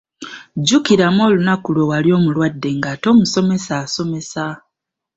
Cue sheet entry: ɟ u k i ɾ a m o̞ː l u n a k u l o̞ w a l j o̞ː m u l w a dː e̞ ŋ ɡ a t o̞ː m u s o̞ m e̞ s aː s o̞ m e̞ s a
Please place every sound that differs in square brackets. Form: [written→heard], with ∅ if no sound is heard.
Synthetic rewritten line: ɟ u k i ɾ a m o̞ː l u n a k u l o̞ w a l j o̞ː m u l w a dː e̞ ŋ ɡ a t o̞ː m u s o̞ m e̞ s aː s o̞ m e̞ s a